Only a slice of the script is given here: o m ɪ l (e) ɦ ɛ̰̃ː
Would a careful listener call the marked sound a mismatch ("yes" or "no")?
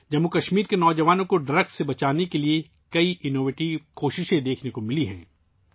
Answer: yes